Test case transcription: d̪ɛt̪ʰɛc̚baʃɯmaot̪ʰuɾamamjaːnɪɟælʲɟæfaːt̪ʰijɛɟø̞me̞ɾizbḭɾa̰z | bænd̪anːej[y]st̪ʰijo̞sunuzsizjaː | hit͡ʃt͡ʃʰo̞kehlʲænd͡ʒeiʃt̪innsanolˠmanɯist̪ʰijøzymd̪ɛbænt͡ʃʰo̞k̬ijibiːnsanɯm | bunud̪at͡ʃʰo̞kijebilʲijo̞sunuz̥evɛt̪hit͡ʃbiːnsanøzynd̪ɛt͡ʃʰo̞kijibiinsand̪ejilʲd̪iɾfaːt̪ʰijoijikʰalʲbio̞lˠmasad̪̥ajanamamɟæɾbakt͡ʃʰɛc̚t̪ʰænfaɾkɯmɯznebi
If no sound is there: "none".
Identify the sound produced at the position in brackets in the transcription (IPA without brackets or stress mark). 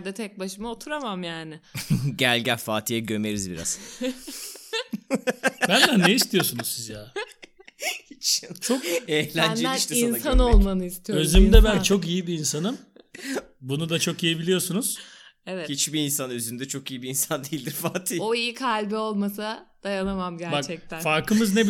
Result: i